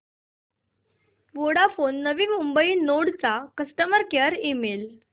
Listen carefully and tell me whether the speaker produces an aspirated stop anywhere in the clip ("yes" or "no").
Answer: no